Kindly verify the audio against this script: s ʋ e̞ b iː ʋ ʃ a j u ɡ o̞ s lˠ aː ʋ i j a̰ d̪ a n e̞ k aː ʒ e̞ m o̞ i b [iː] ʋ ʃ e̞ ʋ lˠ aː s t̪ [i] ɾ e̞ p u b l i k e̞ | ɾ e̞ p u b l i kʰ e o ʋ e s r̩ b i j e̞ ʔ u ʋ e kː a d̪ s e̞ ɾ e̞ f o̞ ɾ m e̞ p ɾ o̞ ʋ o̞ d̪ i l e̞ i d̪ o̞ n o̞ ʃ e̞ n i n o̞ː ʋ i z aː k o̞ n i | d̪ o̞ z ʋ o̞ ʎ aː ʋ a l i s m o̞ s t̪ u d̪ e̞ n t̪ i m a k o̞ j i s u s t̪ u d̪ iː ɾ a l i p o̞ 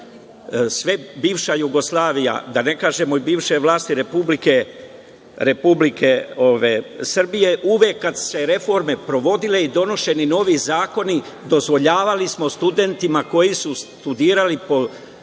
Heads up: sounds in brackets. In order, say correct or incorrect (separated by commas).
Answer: correct, correct